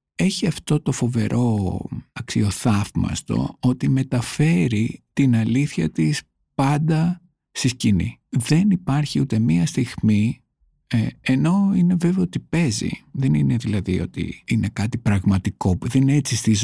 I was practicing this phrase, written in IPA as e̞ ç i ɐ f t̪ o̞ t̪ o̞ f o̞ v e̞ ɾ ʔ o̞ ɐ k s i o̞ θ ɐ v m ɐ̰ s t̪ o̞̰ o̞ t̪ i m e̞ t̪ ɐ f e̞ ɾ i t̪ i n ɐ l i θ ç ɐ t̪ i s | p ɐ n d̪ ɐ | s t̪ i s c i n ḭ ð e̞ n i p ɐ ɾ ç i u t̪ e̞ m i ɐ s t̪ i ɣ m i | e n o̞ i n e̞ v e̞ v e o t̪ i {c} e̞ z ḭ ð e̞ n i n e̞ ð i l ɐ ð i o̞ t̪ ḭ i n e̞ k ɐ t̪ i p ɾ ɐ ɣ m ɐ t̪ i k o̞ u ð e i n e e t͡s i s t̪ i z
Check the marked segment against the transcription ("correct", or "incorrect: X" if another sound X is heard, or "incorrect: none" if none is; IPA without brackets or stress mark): incorrect: p